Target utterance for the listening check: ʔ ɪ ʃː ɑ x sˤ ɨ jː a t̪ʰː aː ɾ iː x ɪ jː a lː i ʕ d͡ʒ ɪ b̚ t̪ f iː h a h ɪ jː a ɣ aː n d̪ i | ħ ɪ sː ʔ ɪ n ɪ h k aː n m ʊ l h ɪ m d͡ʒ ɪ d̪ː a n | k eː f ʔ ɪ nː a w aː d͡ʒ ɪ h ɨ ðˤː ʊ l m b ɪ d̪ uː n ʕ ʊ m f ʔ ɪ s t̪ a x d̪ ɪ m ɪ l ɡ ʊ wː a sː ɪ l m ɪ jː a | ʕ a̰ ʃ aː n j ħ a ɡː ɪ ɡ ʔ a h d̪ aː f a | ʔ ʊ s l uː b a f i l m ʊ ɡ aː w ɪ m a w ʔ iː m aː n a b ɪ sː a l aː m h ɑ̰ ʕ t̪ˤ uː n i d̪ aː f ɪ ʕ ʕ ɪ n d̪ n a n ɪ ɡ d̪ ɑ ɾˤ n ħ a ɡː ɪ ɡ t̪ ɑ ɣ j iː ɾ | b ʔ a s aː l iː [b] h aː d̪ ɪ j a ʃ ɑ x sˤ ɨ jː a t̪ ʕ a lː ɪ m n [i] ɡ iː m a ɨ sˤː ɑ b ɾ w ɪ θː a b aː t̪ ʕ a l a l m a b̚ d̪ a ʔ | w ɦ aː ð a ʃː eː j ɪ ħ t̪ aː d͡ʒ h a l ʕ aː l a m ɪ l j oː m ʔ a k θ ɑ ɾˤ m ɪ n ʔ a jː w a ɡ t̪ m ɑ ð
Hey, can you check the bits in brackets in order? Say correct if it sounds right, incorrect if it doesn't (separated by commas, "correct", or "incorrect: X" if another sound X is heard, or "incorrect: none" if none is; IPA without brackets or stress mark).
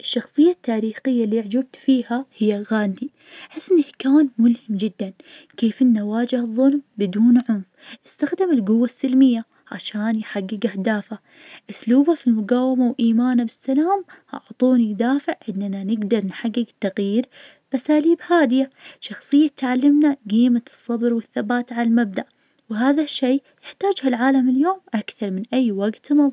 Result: correct, incorrect: a